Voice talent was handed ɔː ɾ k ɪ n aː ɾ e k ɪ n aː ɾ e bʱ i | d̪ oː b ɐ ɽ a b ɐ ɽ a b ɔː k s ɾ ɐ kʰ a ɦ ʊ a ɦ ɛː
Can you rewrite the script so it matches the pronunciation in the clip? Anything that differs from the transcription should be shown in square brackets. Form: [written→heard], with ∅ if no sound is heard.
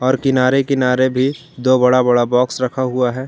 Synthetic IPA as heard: ɔː ɾ k ɪ n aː ɾ e k ɪ n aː ɾ e bʱ i | d̪ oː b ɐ ɽ a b ɐ ɽ a b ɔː k s ɾ ɐ kʰ a ɦ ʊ a ɦ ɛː